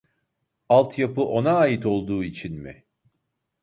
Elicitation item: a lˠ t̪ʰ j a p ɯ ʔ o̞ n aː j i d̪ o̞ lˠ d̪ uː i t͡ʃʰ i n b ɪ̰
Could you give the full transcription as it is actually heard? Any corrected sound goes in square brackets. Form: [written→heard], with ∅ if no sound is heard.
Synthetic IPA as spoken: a lˠ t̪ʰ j a p ɯ ʔ o̞ n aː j i [d̪→t̪] o̞ lˠ d̪ uː i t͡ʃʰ i n [b→m] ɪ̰